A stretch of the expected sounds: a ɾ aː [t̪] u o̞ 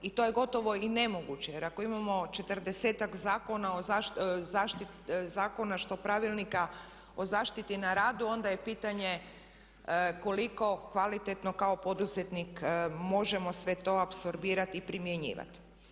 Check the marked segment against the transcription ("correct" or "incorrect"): incorrect